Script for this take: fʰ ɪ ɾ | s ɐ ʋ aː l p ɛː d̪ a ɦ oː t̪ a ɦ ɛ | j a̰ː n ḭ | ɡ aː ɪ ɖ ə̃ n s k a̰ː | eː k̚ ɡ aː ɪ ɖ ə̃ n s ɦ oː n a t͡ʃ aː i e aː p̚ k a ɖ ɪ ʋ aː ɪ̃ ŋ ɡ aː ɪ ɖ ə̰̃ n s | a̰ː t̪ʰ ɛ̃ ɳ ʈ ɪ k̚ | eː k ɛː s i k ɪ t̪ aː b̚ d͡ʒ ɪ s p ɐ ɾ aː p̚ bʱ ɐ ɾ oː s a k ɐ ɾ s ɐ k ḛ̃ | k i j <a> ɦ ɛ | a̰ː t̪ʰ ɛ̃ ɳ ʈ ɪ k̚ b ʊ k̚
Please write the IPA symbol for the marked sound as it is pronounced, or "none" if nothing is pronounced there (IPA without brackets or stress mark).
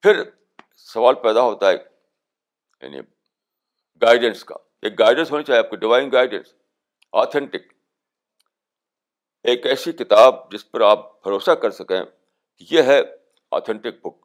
e